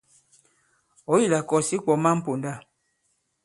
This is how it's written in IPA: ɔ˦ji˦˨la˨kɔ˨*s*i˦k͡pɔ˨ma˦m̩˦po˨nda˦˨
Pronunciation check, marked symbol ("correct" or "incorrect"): correct